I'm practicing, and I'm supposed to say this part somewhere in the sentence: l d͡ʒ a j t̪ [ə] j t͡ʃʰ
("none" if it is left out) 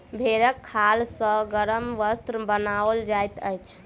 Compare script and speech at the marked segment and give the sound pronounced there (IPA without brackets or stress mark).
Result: ə